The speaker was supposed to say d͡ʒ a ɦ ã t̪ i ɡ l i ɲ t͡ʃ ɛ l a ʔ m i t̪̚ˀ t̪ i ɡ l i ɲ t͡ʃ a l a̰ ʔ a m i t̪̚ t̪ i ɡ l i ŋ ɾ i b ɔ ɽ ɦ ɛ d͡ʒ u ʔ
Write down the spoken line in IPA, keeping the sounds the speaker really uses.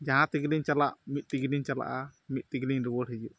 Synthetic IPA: d͡ʒ a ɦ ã t̪ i ɡ l i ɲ t͡ʃ a l a ʔ m i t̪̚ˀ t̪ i ɡ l i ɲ t͡ʃ a l a̰ ʔ a m i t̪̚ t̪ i ɡ l i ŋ ɾ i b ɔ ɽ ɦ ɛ d͡ʒ u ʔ